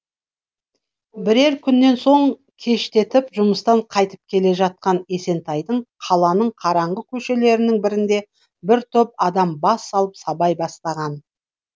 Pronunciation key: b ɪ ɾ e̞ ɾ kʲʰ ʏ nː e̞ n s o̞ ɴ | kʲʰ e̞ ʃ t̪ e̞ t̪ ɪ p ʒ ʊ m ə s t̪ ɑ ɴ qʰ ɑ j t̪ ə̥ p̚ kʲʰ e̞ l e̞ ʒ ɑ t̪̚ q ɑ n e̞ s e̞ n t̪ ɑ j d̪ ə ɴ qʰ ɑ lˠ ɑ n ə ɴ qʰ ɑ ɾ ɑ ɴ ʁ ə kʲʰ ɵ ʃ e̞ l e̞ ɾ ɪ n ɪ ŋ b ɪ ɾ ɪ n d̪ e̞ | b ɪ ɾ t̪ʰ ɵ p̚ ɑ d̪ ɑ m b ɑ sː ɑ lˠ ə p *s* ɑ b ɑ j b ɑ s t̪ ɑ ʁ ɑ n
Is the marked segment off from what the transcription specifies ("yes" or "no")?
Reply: no